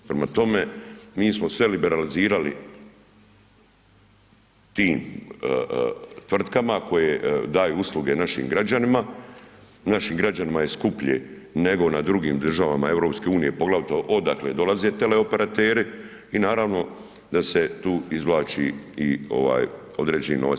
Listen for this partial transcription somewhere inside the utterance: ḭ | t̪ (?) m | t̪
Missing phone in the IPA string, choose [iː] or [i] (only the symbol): iː